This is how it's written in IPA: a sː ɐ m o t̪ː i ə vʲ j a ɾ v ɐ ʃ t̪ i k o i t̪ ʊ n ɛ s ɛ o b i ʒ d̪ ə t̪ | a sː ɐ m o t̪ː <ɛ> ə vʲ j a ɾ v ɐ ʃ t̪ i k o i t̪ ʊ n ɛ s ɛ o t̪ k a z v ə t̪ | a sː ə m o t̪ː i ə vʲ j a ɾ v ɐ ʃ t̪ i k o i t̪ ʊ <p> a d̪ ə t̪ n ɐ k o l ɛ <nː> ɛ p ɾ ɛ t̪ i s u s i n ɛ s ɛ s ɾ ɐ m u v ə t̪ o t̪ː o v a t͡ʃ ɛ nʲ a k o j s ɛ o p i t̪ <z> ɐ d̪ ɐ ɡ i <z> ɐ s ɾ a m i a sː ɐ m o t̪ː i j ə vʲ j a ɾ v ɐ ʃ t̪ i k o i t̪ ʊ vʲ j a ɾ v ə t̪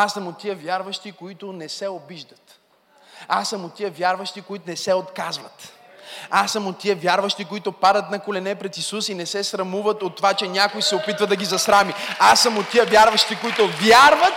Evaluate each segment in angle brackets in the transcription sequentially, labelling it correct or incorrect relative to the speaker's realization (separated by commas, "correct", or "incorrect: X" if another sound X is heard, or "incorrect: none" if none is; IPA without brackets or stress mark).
incorrect: i, correct, incorrect: n, incorrect: v, correct